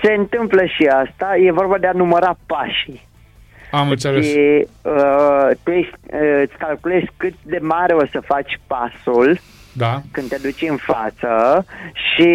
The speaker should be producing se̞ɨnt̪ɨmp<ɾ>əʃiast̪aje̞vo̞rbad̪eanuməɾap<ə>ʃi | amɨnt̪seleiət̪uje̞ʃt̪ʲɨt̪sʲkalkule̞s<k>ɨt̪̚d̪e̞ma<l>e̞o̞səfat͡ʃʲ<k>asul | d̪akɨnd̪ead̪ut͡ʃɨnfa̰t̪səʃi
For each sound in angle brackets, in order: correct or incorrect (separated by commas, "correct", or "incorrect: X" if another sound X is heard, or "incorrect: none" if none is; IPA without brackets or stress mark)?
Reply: incorrect: l, incorrect: a, correct, incorrect: ɾ, incorrect: p